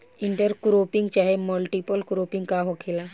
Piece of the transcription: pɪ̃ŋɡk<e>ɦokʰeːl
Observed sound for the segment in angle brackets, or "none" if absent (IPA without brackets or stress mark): a